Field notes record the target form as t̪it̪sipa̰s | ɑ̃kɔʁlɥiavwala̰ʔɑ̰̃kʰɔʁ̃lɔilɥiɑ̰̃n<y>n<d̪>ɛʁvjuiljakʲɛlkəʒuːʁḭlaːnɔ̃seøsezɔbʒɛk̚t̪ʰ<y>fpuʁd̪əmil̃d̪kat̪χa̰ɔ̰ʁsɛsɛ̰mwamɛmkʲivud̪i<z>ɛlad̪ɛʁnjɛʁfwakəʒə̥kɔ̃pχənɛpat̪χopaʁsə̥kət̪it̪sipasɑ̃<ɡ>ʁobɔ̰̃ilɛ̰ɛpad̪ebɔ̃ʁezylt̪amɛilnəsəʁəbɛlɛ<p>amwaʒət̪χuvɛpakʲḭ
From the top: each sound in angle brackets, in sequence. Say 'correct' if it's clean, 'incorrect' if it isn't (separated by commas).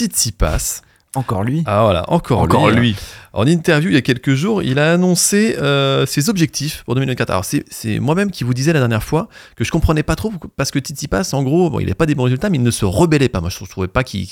incorrect, incorrect, incorrect, correct, correct, correct